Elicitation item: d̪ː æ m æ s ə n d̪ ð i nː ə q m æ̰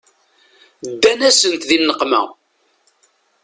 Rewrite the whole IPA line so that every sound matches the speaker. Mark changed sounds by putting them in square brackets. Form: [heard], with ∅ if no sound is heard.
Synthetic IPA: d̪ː æ [n] æ s ə n [t̪] ð i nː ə q m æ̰